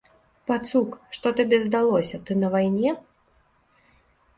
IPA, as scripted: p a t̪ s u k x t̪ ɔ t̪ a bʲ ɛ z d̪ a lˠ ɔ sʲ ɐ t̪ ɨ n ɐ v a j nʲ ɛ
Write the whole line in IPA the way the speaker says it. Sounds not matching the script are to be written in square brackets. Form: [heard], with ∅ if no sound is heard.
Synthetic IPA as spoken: p a t̪ s u k [ʂ] t̪ ɔ t̪ a bʲ ɛ z d̪ a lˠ ɔ sʲ ɐ t̪ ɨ n ɐ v a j nʲ ɛ